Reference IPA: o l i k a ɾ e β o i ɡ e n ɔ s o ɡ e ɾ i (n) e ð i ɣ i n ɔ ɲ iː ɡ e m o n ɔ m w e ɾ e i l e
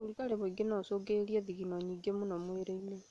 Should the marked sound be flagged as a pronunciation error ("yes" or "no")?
yes